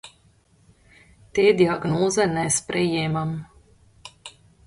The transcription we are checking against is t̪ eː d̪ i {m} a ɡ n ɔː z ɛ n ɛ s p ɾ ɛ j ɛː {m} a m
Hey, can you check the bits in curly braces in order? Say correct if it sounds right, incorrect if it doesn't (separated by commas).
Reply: incorrect, correct